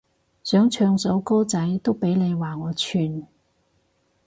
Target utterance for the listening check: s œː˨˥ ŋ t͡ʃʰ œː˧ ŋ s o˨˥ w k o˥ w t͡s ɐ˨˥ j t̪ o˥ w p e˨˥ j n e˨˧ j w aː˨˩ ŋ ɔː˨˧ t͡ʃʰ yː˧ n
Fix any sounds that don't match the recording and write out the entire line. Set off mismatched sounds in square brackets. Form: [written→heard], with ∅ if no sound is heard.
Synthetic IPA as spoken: s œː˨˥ ŋ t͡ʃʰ œː˧ ŋ s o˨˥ w k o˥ w t͡s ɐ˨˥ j t̪ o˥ w p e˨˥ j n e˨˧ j w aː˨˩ ŋ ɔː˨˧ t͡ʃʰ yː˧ n